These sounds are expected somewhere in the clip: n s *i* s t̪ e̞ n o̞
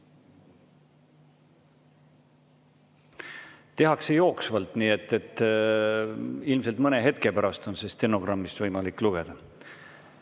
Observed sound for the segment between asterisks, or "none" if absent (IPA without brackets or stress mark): e